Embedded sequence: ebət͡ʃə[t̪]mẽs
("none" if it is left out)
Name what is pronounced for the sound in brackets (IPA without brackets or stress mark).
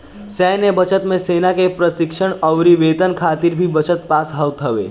t̪